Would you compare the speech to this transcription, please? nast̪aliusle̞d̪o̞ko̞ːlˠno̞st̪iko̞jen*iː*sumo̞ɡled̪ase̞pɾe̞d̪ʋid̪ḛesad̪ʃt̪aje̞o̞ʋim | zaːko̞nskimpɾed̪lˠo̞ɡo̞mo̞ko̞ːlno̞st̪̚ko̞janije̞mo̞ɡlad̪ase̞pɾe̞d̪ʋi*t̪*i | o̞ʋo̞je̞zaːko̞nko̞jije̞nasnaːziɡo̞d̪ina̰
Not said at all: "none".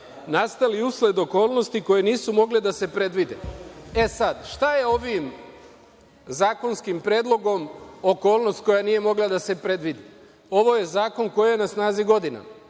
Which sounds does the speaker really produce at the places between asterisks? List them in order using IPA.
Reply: iː, d̪

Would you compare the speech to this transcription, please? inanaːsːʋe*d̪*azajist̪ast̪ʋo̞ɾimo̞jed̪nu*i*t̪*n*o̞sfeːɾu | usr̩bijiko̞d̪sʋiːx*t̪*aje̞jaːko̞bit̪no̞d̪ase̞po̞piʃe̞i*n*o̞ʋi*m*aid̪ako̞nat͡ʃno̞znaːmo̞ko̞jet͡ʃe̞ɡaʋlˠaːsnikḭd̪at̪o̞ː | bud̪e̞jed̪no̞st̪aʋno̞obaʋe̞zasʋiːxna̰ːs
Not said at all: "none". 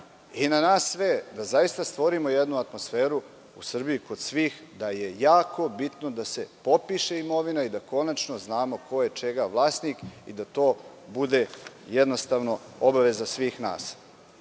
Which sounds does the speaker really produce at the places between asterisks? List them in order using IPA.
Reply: d̪, a, m, d̪, m, n

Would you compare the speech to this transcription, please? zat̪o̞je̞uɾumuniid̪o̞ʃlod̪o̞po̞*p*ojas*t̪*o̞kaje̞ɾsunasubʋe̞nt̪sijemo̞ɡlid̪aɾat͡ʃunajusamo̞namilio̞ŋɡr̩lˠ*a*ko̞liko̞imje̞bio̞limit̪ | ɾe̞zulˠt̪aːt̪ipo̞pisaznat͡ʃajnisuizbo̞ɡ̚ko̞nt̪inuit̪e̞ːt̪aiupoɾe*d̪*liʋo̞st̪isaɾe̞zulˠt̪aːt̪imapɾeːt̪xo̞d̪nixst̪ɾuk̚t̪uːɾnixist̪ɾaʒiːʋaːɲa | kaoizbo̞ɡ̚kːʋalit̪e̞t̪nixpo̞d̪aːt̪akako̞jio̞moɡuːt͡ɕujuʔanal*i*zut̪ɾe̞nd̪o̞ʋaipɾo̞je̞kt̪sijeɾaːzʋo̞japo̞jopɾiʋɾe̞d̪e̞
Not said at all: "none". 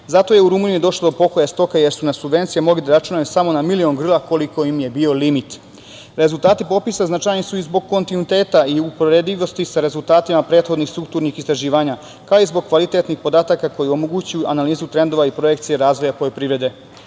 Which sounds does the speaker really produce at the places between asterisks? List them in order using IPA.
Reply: k, t̪, a, d̪, iː

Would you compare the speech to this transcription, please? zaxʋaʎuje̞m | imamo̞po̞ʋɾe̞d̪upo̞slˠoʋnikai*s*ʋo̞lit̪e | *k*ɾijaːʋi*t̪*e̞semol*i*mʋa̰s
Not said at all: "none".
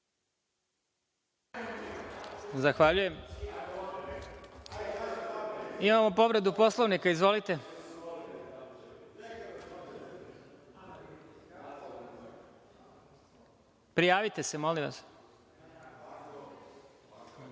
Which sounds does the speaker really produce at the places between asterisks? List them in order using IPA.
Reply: z, p, t̪, i

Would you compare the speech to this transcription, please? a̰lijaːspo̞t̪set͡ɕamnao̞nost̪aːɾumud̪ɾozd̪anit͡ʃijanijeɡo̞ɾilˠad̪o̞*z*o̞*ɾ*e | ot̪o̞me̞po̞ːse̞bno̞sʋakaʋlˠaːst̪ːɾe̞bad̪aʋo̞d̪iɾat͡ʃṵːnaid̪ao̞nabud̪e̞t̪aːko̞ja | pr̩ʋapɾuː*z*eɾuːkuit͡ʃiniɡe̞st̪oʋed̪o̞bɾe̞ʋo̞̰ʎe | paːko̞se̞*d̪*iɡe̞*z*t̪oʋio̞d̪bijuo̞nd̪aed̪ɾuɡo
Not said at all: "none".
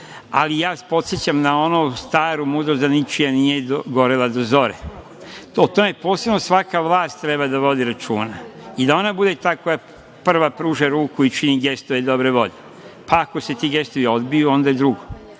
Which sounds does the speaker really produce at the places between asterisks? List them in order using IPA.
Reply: z, ɾ, ʒ, t̪, s

